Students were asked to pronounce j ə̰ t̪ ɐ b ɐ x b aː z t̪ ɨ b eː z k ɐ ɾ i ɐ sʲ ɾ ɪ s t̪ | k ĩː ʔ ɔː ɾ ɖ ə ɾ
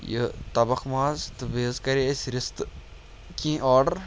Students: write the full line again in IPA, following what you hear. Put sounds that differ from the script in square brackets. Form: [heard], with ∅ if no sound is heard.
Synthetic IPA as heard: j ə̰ t̪ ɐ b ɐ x [m] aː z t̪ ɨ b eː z k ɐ ɾ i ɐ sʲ ɾ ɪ s t̪ | k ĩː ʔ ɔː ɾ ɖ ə ɾ